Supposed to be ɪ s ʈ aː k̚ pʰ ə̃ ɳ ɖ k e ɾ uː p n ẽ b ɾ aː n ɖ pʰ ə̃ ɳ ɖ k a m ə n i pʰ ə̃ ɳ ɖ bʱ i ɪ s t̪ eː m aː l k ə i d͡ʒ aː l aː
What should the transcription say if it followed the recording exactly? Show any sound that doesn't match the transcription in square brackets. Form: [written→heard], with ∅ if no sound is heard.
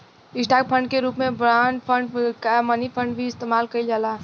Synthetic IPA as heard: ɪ s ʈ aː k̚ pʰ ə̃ ɳ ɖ k e ɾ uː p [n→m] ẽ b ɾ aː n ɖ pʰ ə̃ ɳ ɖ k a m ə n i pʰ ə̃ ɳ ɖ bʱ i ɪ s t̪ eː m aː l k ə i d͡ʒ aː l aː